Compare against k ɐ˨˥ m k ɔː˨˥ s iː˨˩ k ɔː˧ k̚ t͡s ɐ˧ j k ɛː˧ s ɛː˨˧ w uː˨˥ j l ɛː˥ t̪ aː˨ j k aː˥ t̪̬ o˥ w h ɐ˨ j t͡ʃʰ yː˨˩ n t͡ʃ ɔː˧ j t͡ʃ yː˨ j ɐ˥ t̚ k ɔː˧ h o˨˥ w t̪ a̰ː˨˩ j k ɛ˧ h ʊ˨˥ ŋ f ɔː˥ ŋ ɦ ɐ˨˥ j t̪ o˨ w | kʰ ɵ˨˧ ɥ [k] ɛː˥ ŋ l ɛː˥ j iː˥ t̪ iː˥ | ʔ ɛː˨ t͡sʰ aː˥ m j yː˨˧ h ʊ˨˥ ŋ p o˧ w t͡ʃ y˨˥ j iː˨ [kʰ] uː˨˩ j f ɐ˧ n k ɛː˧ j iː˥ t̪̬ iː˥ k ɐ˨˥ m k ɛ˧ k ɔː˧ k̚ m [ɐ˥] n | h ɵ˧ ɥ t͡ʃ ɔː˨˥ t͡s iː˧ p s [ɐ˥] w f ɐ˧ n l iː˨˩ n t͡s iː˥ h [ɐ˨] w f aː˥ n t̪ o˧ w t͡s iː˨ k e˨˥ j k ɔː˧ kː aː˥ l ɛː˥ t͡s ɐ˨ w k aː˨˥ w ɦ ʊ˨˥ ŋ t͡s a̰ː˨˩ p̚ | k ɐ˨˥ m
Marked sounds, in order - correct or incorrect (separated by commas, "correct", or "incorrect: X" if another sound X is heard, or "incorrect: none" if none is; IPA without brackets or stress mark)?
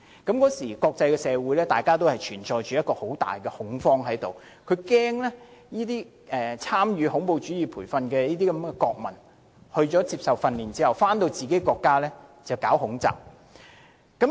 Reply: correct, incorrect: pʰ, incorrect: ɐ˨˩, incorrect: ɐ˨, correct